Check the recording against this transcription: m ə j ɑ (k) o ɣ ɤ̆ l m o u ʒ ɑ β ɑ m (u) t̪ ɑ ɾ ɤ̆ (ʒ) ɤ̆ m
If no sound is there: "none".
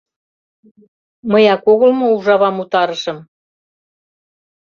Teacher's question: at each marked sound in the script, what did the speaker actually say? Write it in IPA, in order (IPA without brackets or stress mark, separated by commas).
k, u, ʃ